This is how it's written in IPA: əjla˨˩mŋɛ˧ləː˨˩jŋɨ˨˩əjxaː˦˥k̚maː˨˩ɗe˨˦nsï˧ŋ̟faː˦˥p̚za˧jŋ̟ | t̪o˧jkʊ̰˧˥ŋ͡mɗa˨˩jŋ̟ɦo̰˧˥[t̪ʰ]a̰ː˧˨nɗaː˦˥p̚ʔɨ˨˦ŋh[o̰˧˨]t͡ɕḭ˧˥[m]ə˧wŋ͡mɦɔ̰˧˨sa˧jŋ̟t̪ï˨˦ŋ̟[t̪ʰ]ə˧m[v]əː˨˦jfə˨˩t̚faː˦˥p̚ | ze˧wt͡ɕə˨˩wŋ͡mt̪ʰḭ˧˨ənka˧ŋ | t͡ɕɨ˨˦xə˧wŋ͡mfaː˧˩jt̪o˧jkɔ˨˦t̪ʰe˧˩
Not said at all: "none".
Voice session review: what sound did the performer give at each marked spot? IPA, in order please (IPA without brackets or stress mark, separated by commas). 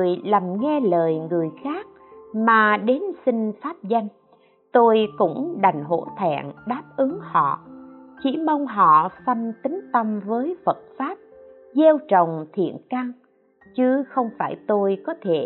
t̪ʰ, ɔ̰˧˨, m, t̪, v